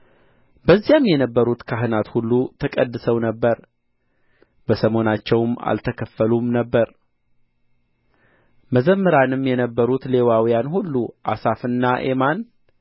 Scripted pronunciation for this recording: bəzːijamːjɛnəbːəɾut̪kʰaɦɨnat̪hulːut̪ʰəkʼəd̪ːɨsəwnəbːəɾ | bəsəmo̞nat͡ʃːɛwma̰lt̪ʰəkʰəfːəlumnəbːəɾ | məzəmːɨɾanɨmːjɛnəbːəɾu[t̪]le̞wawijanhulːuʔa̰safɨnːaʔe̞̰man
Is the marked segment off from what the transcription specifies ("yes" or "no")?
no